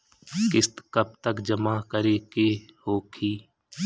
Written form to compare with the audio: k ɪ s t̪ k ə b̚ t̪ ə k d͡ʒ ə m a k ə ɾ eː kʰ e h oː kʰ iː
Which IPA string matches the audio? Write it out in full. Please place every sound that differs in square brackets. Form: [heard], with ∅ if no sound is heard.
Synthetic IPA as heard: k ɪ s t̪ k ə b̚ t̪ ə k d͡ʒ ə m a k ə ɾ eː [k] e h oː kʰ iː